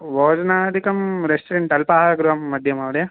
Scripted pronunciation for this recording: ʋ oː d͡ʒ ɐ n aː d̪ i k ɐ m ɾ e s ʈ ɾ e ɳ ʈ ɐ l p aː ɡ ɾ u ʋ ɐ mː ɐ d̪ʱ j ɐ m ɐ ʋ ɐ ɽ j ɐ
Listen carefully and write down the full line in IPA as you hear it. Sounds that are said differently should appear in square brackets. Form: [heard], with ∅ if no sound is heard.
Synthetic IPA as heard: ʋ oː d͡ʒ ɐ n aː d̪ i k ɐ m ɾ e s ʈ ɾ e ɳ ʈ ɐ l p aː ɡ ɾ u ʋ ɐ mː ɐ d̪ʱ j ɐ m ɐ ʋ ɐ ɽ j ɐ